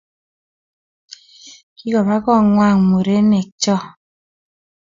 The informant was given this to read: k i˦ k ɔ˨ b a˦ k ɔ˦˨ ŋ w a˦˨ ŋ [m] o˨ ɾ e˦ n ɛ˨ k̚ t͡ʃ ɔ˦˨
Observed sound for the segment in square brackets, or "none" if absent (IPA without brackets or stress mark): m